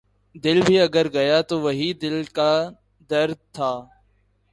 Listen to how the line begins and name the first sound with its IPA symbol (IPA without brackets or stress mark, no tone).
d̪